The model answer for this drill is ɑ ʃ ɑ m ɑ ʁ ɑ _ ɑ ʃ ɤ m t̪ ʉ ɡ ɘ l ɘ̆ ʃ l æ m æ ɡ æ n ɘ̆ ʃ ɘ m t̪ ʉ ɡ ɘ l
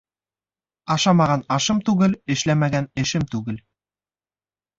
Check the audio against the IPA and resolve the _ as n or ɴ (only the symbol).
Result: n